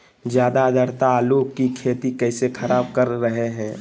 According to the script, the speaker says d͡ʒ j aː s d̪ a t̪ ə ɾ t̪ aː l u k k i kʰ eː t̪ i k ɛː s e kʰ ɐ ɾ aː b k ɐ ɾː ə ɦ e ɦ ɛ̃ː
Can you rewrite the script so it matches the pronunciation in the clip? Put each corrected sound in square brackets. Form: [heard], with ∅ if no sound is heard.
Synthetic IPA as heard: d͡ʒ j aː [∅] d̪ a [d̪] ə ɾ t̪ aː l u k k i kʰ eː t̪ i k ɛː s e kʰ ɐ ɾ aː b k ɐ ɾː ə ɦ e ɦ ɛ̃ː